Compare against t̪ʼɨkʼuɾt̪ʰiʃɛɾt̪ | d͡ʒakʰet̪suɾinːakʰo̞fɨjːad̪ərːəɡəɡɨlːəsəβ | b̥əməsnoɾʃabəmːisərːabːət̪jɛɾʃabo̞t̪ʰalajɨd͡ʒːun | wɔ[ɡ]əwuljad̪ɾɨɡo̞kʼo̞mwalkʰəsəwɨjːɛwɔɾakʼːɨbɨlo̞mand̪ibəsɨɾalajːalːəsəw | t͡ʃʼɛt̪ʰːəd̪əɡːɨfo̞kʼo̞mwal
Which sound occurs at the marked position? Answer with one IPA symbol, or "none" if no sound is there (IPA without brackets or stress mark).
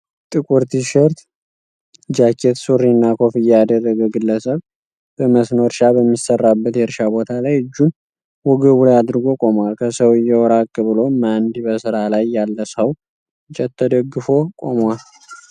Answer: ɡ